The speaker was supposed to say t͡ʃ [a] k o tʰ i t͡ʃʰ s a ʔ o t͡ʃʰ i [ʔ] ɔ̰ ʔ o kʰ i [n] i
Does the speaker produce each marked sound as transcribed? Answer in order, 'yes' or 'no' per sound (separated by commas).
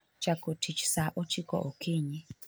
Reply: yes, no, no